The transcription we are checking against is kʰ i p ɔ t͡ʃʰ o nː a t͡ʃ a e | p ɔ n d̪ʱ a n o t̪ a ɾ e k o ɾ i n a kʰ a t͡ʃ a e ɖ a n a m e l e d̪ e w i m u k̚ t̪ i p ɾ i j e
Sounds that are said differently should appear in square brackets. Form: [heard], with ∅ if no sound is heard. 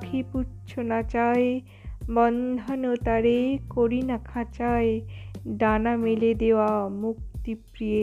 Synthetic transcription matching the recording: kʰ i p [u] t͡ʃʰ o [n] a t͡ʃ a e | [b] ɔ n d̪ʱ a n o t̪ a ɾ e k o ɾ i n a kʰ a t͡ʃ a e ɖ a n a m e l e d̪ e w [a] m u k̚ t̪ i p ɾ i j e